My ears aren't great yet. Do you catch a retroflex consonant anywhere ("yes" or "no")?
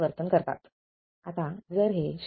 no